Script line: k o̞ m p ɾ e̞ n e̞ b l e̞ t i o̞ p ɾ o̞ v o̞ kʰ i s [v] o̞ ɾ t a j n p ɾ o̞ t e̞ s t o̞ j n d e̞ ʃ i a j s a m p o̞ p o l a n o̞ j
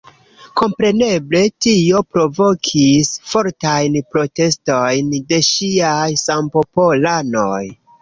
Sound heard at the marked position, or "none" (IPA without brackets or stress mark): f